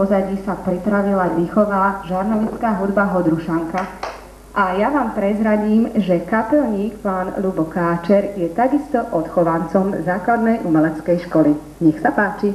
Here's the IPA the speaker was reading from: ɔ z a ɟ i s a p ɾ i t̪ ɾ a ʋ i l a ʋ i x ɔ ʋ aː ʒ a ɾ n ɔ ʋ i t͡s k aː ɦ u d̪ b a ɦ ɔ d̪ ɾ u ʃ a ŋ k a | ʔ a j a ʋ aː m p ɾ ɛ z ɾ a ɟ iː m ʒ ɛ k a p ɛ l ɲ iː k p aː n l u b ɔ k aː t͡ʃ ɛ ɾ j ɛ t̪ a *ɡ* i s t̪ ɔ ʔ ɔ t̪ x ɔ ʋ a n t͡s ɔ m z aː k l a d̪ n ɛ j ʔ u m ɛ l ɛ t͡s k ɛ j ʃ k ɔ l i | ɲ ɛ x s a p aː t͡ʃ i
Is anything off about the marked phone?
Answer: no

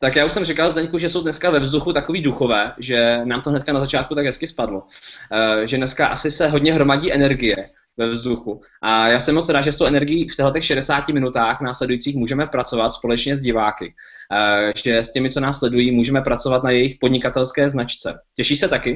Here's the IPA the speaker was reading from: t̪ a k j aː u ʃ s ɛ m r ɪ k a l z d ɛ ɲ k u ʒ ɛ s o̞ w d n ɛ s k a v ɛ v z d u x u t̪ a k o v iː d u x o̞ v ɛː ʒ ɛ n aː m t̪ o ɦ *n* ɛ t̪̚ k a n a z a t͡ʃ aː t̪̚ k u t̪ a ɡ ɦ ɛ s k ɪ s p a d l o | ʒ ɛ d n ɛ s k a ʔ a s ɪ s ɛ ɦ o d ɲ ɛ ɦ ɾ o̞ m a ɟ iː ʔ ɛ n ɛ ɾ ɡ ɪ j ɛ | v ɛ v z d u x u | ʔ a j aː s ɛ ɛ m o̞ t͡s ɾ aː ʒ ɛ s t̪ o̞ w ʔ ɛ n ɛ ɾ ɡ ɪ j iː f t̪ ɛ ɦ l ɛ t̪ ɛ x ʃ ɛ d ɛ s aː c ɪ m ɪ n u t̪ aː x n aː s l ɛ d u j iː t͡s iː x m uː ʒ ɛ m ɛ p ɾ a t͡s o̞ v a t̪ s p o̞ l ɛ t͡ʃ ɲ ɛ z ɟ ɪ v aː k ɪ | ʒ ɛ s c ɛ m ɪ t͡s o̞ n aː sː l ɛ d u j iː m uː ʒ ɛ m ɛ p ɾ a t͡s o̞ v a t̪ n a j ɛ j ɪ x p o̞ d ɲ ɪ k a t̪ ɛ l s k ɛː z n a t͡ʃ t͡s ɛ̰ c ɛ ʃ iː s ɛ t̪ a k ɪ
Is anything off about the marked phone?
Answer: no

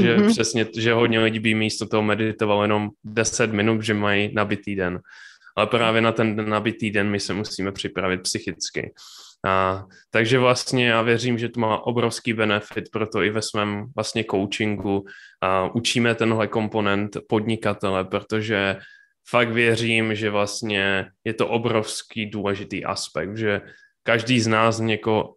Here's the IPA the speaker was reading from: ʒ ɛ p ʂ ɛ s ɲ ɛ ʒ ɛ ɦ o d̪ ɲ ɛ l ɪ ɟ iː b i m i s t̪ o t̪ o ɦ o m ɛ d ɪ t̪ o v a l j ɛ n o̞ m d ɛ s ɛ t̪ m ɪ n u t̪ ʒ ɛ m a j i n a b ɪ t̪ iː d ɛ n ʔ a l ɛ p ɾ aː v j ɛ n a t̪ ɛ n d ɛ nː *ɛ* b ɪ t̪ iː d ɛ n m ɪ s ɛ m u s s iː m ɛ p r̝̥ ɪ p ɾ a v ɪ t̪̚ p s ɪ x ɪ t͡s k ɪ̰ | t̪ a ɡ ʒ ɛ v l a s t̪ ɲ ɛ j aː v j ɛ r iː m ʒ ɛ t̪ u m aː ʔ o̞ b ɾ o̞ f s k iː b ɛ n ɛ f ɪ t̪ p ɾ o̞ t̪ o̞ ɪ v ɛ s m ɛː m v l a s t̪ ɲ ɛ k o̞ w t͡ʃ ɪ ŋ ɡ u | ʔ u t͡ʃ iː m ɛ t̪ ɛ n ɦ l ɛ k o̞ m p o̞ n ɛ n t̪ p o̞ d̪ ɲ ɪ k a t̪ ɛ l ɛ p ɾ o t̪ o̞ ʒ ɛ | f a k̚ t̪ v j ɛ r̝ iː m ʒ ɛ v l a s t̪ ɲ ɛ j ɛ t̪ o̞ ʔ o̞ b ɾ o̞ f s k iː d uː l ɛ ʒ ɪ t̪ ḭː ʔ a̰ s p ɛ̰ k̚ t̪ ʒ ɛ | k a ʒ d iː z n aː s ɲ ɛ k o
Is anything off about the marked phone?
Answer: yes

